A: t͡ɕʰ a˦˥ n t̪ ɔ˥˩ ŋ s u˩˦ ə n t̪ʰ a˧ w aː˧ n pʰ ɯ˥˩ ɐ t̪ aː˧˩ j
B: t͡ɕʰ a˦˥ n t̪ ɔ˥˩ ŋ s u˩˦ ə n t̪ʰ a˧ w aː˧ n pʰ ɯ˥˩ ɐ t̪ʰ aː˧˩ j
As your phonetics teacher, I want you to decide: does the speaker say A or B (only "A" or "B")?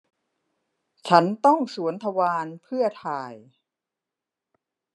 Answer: B